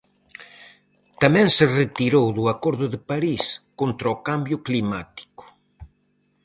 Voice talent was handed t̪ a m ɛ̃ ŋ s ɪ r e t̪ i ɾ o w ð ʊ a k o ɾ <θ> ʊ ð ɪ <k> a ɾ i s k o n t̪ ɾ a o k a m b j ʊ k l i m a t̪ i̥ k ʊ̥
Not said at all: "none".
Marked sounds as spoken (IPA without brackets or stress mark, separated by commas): ð, p